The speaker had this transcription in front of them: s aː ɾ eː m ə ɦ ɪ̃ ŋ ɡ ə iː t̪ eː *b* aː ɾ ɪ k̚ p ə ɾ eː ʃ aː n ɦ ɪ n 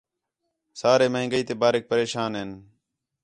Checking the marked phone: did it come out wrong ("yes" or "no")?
no